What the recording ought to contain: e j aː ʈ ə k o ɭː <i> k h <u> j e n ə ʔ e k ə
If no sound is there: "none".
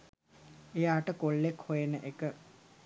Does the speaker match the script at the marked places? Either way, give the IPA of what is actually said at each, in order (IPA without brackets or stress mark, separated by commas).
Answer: e, o